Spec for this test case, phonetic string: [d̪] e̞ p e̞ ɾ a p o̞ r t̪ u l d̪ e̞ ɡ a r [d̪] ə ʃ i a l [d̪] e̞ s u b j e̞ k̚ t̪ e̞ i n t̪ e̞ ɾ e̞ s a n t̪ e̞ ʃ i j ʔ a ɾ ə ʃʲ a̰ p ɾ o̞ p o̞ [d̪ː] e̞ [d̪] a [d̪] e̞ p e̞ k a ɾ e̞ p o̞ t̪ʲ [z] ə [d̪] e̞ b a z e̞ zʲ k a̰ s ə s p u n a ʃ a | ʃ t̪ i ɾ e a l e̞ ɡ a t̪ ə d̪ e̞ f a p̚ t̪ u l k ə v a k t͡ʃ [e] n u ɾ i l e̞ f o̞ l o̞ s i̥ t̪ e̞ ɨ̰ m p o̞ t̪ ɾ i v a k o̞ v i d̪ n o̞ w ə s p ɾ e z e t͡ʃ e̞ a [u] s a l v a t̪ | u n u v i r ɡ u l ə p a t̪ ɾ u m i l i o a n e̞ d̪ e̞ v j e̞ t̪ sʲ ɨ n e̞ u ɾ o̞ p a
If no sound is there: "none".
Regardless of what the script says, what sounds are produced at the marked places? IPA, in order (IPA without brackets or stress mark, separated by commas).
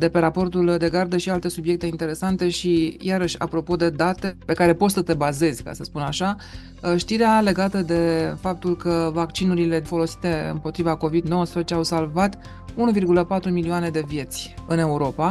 d̪, d̪, t̪, d̪, d̪, t̪, s, t̪, i, w